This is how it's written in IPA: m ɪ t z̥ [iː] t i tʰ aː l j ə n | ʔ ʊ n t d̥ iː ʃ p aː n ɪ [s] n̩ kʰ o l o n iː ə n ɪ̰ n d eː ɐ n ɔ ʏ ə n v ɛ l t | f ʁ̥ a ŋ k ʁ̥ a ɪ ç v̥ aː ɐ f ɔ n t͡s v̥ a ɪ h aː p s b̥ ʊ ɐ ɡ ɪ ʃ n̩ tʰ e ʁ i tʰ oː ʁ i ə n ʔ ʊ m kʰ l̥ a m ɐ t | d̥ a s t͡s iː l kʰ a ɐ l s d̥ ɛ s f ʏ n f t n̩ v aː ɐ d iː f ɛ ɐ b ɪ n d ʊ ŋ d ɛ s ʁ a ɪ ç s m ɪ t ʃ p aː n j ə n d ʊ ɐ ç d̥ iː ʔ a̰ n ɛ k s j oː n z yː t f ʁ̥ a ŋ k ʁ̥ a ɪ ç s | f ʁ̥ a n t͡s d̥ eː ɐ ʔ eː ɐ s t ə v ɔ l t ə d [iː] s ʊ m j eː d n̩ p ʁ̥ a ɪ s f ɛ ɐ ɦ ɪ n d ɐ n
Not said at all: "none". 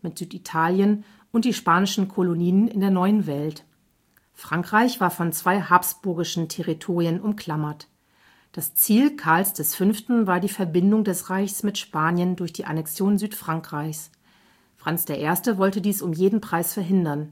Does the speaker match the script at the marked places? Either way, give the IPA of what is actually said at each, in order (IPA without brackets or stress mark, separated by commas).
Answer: yː, ʃ, iː